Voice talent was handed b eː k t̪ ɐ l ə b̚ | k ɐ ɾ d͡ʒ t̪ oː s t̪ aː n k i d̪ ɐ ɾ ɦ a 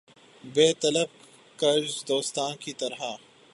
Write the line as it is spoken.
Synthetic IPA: b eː t̪ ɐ l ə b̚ | k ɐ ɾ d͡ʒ d̪ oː s t̪ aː n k i t̪ ɐ ɾ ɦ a